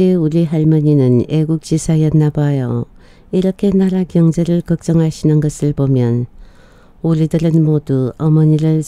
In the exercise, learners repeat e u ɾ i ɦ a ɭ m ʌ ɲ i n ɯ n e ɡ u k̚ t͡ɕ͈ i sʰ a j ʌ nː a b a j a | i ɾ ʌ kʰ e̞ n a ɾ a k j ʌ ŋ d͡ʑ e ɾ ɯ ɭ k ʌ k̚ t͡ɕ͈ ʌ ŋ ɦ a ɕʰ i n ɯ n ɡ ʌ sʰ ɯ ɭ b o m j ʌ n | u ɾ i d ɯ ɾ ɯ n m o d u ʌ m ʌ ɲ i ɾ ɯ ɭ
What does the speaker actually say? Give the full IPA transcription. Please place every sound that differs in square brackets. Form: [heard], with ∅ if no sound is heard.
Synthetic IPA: e u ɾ i ɦ a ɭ m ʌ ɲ i n ɯ n e ɡ u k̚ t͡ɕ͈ i sʰ a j ʌ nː a b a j [ʌ] | i ɾ ʌ kʰ e̞ n a ɾ a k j ʌ ŋ d͡ʑ e ɾ ɯ ɭ k ʌ k̚ t͡ɕ͈ ʌ ŋ ɦ a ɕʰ i n ɯ n ɡ ʌ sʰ ɯ ɭ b o m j ʌ n | u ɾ i d ɯ ɾ ɯ n m o d u ʌ m ʌ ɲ i ɾ ɯ ɭ